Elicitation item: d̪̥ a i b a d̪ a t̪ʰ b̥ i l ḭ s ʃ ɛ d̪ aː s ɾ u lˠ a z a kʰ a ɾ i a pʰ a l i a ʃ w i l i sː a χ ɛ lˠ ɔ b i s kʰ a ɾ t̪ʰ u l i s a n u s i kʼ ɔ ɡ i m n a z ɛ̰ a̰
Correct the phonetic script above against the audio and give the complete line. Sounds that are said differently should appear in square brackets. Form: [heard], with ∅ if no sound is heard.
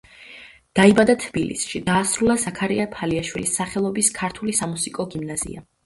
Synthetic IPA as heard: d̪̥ a i b a d̪ a t̪ʰ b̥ i l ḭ s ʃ [i] d̪ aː s ɾ u lˠ a z a kʰ a ɾ i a pʰ a l i a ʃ w i l i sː a χ ɛ lˠ ɔ b i s kʰ a ɾ t̪ʰ u l i s a [m] u s i kʼ ɔ ɡ i m n a z [ḭ] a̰